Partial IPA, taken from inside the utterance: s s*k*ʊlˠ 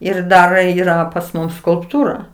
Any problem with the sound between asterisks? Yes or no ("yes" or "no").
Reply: no